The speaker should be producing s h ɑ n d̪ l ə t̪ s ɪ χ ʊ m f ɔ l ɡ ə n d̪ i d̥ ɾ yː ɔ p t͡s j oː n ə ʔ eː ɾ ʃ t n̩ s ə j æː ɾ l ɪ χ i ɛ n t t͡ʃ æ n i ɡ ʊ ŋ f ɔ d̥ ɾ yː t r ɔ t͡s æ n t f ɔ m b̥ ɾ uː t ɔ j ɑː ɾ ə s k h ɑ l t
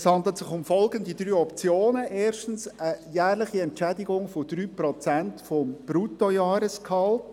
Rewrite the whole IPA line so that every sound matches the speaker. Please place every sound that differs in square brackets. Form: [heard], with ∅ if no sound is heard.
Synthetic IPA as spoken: s h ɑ n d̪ l ə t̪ s ɪ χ ʊ m f ɔ l ɡ ə n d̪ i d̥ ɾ yː ɔ p t͡s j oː n ə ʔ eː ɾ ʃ t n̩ s ə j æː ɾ l ɪ χ i ɛ n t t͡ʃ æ [d] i ɡ ʊ ŋ f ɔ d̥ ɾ yː [p] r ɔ t͡s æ n t f ɔ m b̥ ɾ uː t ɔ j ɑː ɾ ə s k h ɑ l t